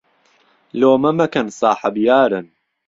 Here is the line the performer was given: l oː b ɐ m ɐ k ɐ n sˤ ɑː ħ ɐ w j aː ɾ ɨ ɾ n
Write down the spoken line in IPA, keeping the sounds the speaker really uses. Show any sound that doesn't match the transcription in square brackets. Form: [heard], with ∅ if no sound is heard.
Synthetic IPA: l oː [m] ɐ m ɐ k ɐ n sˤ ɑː ħ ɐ [b] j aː ɾ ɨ [∅] n